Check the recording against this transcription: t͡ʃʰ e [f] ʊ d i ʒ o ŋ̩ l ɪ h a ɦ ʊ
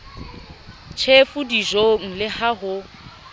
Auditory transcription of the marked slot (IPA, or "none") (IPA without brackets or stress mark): f